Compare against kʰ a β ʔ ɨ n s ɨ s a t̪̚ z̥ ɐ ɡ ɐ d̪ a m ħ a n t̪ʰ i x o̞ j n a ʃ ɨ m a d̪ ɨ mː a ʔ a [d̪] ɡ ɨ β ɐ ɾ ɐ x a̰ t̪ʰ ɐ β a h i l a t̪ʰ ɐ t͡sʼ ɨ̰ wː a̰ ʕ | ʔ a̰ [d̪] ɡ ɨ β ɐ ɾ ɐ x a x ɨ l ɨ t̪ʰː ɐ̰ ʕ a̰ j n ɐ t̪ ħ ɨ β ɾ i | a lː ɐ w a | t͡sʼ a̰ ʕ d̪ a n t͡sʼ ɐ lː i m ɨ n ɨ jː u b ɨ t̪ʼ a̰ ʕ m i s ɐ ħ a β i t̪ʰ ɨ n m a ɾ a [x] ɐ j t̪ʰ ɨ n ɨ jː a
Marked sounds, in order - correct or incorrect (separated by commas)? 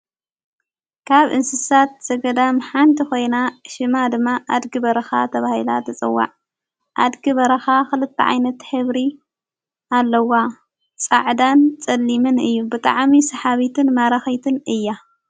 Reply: correct, correct, correct